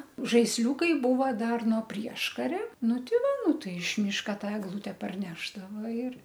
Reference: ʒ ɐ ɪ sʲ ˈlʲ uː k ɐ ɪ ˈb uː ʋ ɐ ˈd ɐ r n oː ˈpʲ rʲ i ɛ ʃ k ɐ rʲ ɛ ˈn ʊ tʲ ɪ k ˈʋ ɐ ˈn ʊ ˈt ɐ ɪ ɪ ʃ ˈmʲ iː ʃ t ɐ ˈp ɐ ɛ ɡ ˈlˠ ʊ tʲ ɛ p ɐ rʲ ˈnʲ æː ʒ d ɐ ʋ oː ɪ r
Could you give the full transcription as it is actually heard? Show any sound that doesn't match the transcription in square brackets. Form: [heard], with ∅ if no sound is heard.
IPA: ʒ ɐ ɪ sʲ ˈlʲ uː k ɐ ɪ ˈb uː ʋ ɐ ˈd ɐ r n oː ˈpʲ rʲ i ɛ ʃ k ɐ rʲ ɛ ˈn ʊ tʲ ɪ [∅] ˈʋ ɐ ˈn ʊ ˈt ɐ ɪ ɪ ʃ ˈmʲ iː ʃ [k] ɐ [ˈt] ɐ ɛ ɡ ˈlˠ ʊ tʲ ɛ p ɐ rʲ ˈnʲ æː ʒ d ɐ ʋ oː ɪ r